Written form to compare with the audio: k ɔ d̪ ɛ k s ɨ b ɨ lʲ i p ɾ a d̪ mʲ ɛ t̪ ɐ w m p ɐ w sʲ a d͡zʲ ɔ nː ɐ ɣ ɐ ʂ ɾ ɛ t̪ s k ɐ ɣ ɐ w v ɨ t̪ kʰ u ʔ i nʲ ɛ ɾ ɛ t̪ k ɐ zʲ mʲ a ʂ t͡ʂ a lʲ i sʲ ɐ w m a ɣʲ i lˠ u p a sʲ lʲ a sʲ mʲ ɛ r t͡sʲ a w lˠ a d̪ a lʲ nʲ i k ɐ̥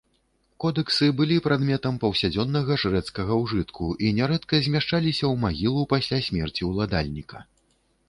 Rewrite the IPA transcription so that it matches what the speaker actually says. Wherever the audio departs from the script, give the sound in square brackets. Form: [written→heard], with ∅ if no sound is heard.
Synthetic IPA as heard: k ɔ d̪ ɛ k s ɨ b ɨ lʲ i p ɾ a d̪ mʲ ɛ t̪ ɐ [w→∅] m p ɐ w sʲ a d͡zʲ ɔ nː ɐ ɣ ɐ ʂ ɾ ɛ t̪ s k ɐ ɣ ɐ w [v→ʐ] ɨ t̪ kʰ u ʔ i nʲ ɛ ɾ ɛ t̪ k ɐ zʲ mʲ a ʂ t͡ʂ a lʲ i sʲ ɐ w m a ɣʲ i lˠ u p a sʲ lʲ a sʲ mʲ ɛ r t͡sʲ [a→i] w lˠ a d̪ a lʲ nʲ i k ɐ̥